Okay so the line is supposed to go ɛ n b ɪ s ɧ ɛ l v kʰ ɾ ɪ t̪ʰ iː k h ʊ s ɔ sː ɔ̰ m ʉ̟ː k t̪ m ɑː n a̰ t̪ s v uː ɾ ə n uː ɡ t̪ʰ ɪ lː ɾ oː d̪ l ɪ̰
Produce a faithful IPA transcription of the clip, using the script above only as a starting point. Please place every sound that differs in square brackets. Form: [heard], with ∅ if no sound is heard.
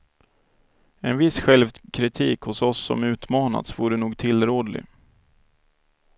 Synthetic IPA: ɛ n [v] ɪ s ɧ ɛ l v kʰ ɾ ɪ t̪ʰ iː k h ʊ s ɔ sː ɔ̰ m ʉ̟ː [∅] t̪ m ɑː n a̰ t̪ s v uː ɾ ə n uː ɡ t̪ʰ ɪ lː ɾ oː d̪ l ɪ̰